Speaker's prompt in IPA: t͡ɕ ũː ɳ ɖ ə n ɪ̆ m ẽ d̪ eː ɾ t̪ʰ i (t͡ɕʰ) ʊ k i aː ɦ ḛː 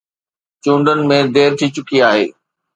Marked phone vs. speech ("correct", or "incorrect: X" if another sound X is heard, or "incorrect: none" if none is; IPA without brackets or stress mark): incorrect: t͡ɕ